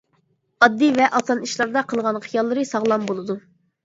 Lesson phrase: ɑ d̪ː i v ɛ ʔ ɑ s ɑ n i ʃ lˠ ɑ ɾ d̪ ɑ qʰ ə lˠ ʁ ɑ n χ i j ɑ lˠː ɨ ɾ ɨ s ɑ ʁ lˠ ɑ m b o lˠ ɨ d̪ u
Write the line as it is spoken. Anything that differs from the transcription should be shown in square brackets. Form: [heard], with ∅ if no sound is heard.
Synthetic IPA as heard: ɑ d̪ː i v ɛ ʔ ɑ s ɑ n i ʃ lˠ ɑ ɾ d̪ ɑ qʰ ə lˠ ʁ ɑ n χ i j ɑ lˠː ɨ ɾ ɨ s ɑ ʁ lˠ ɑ m b o lˠ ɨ d̪ u